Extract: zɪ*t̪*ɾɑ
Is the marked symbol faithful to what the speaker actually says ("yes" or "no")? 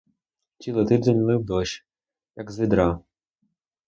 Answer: no